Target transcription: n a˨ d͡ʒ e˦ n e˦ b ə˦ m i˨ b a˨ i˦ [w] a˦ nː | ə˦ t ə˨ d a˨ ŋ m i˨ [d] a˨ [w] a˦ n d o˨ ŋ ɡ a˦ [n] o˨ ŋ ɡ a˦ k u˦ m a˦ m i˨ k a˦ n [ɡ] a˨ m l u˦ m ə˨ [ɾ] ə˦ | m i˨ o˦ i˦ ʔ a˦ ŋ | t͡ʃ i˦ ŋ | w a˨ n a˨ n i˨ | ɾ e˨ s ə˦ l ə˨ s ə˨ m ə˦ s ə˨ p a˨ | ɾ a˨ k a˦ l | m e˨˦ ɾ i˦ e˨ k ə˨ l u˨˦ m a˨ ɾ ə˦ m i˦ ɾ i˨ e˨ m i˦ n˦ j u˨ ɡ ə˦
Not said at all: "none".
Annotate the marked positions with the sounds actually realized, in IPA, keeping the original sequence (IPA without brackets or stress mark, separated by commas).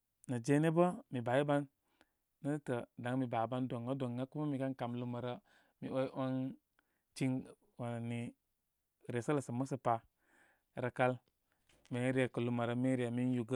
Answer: b, b, b, d, k, ɾ